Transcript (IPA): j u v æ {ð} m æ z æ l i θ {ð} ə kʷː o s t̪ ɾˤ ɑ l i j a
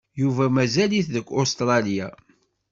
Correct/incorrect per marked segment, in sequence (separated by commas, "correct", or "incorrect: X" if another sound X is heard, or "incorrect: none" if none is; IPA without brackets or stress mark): incorrect: none, correct